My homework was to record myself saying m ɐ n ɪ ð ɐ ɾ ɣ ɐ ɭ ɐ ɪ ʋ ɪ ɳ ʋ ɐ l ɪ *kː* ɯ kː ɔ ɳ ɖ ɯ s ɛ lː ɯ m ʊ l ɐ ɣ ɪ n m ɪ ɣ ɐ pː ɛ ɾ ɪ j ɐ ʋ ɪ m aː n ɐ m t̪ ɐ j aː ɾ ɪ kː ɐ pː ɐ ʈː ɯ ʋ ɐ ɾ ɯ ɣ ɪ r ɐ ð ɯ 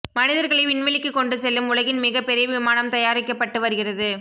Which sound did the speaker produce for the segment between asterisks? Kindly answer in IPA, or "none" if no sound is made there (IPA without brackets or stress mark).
kː